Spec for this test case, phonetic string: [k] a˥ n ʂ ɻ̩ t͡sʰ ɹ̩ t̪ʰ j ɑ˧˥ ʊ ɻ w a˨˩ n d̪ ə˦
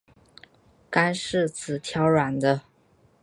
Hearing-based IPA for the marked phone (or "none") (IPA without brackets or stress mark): k